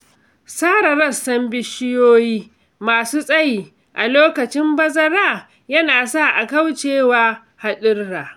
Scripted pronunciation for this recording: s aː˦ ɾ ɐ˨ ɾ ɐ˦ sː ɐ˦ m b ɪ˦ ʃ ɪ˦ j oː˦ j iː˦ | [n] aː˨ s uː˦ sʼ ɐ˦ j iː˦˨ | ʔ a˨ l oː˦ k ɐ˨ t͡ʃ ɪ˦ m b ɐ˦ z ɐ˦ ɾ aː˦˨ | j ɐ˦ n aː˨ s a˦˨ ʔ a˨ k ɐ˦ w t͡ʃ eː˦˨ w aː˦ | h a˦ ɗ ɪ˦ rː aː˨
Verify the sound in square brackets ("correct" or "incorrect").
incorrect